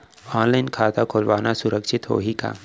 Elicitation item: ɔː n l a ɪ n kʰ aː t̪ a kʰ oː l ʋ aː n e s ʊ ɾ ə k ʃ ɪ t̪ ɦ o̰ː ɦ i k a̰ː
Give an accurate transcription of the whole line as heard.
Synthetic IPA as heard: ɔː n l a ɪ n kʰ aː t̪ a kʰ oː l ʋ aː n a s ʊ ɾ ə k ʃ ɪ t̪ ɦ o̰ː ɦ i k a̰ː